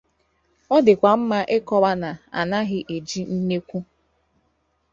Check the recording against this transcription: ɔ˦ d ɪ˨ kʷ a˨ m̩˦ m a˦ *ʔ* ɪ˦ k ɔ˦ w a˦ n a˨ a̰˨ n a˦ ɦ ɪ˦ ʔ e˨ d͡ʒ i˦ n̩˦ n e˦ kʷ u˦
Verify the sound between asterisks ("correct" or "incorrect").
correct